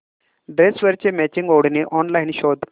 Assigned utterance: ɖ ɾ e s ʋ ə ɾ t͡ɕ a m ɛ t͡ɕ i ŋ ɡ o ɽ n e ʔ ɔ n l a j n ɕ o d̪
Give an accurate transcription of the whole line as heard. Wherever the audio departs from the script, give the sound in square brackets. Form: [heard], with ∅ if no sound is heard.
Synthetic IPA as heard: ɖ ɾ e s ʋ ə ɾ t͡ɕ [e] m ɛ t͡ɕ i ŋ ɡ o ɽ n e ʔ ɔ n l a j n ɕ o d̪